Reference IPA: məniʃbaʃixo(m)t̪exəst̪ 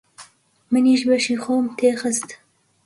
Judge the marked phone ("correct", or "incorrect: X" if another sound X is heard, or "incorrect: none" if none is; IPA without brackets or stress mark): correct